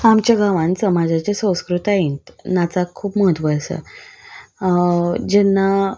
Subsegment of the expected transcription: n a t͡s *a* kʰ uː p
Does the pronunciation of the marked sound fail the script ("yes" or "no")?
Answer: no